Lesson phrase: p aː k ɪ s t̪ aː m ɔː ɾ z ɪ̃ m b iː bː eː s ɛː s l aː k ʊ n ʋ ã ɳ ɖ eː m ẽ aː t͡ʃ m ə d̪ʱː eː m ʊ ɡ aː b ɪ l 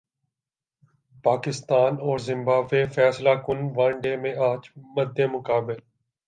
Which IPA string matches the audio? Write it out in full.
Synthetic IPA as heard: p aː k ɪ s t̪ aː n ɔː ɾ z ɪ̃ m b aː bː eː f ɛː s l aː k ʊ n ʋ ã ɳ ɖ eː m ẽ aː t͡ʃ m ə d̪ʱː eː m ʊ k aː b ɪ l